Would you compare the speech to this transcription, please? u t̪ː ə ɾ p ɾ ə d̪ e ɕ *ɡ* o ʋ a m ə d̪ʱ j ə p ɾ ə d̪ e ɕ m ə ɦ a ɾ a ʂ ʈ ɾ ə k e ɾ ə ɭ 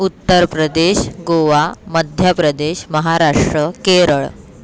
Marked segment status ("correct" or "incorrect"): correct